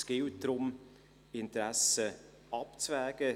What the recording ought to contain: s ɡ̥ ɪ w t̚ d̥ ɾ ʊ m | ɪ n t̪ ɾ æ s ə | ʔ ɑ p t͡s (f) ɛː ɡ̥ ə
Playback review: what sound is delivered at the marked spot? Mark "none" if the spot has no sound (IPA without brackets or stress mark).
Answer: v